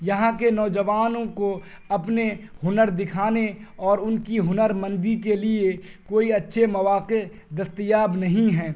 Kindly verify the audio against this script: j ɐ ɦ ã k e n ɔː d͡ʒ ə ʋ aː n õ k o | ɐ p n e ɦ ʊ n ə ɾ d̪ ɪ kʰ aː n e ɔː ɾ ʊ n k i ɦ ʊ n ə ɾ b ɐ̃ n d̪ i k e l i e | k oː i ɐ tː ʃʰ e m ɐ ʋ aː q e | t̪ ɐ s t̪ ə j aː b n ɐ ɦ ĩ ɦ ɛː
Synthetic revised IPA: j ɐ ɦ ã k e n ɔː d͡ʒ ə ʋ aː n õ k o | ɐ p n e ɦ ʊ n ə ɾ d̪ ɪ kʰ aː n e ɔː ɾ ʊ n k i ɦ ʊ n ə ɾ m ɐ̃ n d̪ i k e l i e | k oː i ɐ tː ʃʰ e m ɐ ʋ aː q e | d̪ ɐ s t̪ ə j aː b n ɐ ɦ ĩ ɦ ɛː